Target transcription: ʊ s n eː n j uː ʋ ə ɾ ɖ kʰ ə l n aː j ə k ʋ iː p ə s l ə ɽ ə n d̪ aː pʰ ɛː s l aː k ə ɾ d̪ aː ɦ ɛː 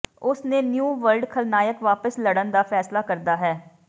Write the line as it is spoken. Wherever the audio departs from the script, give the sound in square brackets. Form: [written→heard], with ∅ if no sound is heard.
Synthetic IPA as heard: ʊ s n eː n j uː ʋ ə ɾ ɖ kʰ ə l n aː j ə k ʋ [iː→aː] p ə s l ə ɽ ə n d̪ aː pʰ ɛː s l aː k ə ɾ d̪ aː ɦ ɛː